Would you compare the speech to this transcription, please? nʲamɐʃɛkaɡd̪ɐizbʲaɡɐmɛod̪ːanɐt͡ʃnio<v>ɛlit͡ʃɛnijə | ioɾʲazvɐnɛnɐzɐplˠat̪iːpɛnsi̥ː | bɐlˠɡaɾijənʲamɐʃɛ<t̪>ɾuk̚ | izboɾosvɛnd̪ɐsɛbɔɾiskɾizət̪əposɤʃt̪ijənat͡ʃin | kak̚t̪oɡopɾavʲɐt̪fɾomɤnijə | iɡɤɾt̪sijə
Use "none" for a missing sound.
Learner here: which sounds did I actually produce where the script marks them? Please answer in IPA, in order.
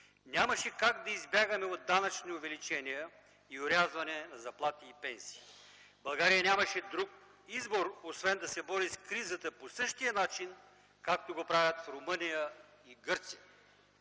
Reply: v, d̪

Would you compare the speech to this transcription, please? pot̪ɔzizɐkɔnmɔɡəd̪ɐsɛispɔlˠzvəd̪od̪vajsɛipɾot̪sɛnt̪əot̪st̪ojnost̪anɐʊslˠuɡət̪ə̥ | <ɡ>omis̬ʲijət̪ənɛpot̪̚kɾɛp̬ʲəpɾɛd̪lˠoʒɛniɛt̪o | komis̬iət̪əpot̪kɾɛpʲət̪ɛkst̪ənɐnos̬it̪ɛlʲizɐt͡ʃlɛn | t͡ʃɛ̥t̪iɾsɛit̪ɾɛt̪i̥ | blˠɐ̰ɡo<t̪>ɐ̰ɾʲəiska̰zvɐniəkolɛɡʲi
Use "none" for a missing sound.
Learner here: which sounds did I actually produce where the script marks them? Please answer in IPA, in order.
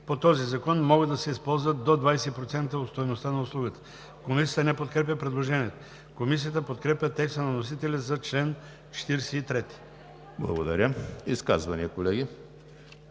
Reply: k, d̪

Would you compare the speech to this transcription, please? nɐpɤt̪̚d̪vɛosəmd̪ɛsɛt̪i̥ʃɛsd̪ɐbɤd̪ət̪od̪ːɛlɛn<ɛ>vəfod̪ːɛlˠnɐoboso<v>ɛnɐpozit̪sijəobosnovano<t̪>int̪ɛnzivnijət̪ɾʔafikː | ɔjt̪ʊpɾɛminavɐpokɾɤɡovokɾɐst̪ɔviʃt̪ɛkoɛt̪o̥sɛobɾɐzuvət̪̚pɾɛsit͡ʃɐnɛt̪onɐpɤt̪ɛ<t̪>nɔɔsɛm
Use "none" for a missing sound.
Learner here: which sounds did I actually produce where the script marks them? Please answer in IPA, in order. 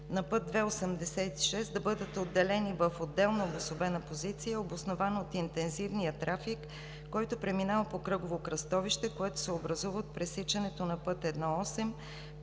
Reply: i, b, t̪, d̪

